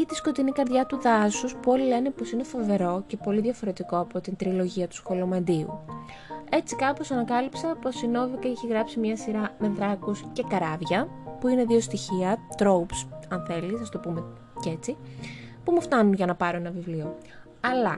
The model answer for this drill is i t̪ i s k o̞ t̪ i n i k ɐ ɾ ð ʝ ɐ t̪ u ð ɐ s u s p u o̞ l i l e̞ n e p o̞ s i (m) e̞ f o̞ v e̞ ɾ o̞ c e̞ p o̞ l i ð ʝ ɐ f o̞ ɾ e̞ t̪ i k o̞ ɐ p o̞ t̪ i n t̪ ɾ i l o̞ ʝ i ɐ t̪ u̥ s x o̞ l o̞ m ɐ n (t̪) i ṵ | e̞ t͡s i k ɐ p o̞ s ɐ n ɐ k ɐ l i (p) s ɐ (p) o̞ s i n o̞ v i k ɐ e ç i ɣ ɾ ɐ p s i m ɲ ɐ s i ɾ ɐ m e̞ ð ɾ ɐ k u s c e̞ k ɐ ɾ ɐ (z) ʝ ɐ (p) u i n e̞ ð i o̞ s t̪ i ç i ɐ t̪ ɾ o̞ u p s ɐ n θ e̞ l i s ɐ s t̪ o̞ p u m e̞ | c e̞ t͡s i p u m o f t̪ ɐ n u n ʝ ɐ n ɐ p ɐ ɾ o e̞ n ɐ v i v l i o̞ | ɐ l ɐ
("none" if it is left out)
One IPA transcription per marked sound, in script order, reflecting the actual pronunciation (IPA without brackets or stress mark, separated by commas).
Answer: n, d̪, p, p, v, p